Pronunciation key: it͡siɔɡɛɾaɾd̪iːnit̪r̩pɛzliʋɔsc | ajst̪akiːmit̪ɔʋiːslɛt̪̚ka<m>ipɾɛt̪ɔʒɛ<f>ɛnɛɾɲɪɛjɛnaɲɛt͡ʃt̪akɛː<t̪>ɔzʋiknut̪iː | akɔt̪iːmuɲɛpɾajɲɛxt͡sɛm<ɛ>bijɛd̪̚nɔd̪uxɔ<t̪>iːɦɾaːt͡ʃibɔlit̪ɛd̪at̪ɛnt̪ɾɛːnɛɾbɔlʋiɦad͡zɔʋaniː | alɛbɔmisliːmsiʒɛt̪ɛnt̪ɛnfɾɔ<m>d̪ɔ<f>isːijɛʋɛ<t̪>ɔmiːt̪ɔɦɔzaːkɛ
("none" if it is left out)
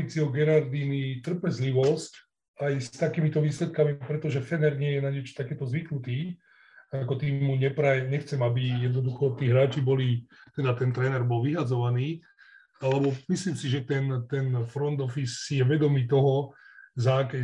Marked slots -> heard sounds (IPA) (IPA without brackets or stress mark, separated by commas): m, f, t̪, a, t̪, n, f, d̪